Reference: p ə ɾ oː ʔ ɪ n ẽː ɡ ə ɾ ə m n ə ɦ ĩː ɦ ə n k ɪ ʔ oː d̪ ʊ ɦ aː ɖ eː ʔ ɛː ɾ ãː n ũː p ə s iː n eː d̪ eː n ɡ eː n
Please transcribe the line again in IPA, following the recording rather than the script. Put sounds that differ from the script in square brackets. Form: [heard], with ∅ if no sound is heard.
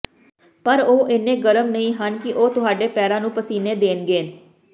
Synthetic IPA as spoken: p ə ɾ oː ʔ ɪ n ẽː ɡ ə ɾ ə m n ə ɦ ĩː ɦ ə n k ɪ ʔ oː [t̪] ʊ ɦ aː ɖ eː [p] ɛː ɾ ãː n ũː p ə s iː n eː d̪ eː n ɡ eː n